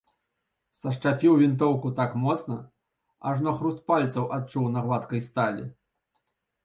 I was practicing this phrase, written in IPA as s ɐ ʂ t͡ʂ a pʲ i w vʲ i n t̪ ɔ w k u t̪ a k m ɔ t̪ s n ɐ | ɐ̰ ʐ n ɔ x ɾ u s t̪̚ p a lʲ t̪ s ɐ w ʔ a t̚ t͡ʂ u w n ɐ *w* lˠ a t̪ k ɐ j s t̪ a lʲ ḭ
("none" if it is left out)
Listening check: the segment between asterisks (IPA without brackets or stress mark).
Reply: ɣ